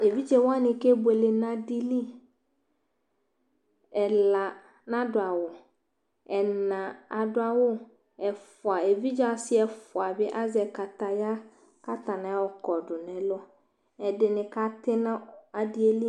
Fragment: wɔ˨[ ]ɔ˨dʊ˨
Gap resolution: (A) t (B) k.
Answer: B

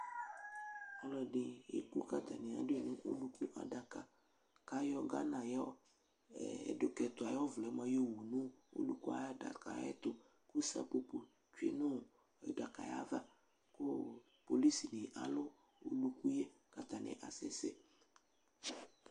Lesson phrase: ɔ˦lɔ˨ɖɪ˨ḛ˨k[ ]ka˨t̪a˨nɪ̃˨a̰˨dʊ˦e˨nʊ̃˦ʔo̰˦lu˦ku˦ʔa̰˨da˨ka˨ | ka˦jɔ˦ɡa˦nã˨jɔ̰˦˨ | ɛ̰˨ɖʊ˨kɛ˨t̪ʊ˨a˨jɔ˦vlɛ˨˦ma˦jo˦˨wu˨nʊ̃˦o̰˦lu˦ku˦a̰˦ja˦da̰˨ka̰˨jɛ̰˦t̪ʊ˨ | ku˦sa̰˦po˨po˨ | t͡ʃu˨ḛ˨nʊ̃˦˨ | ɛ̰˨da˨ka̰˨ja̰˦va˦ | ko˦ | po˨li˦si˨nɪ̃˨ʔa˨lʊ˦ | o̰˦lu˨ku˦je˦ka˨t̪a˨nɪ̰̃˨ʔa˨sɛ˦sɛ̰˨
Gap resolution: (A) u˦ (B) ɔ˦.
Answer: A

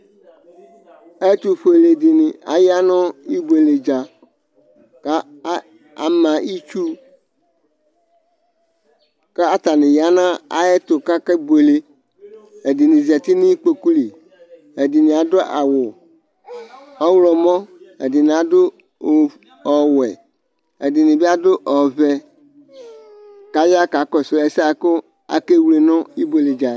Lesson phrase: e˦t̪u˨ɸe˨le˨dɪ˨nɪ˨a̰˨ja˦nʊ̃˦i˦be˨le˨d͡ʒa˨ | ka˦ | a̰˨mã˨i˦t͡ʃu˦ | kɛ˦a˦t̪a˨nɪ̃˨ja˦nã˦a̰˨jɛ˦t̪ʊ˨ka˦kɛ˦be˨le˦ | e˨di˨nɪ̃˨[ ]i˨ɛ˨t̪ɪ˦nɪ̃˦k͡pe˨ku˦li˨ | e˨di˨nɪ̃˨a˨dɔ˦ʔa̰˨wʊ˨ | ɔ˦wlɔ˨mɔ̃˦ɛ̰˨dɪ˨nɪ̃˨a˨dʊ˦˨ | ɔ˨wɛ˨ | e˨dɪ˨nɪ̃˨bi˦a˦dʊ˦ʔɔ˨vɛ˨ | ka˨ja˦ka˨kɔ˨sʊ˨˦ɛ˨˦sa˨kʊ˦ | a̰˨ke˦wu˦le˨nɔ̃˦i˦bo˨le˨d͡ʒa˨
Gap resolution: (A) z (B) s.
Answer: A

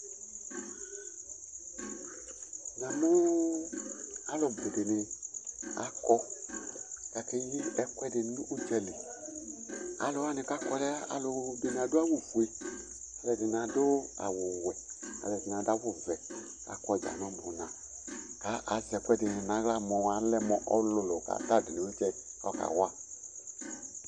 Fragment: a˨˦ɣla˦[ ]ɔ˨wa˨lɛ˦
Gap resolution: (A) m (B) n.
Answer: A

